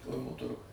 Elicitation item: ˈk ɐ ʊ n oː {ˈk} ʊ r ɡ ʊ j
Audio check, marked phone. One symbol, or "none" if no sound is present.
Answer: t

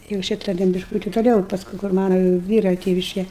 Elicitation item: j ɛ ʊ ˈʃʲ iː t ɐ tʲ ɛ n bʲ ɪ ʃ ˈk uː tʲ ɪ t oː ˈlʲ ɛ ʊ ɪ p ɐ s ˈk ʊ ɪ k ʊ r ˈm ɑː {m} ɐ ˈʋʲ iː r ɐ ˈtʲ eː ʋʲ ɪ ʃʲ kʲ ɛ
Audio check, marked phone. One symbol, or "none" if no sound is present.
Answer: n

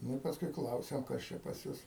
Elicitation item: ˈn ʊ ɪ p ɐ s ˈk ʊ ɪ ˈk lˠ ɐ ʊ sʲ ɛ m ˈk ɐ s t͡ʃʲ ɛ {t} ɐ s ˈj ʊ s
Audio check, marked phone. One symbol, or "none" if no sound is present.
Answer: p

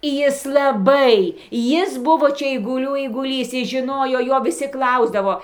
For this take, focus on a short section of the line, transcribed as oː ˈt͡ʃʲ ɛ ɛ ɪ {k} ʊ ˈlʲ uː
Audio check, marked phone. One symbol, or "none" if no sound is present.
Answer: ɡ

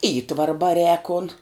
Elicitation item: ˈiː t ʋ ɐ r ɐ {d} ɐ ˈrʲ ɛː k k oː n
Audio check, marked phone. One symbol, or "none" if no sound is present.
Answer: b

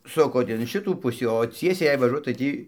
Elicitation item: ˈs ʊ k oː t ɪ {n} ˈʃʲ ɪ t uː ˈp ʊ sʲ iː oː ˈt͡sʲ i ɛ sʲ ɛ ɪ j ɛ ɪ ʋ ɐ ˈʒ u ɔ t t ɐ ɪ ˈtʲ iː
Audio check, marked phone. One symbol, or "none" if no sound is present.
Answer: n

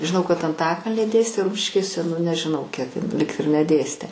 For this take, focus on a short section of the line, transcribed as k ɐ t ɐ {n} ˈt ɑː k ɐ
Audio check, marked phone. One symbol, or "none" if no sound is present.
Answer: n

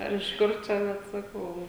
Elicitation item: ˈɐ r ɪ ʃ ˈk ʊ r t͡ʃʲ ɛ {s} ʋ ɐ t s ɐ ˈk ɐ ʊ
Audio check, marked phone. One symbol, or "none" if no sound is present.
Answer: none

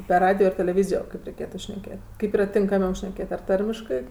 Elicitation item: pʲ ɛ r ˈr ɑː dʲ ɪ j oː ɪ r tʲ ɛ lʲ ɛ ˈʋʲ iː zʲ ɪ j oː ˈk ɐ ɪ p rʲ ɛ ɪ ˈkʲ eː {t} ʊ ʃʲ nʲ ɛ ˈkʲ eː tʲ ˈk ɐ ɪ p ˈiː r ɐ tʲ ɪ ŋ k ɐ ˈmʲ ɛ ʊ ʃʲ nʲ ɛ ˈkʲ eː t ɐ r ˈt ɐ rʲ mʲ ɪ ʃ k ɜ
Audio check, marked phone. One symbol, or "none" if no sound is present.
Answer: t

